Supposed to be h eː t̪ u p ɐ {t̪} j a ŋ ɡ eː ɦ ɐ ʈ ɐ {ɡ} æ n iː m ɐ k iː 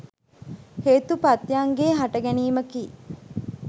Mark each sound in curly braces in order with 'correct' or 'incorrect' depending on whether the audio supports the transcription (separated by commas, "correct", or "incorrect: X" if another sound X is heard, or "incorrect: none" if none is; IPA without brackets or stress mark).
correct, correct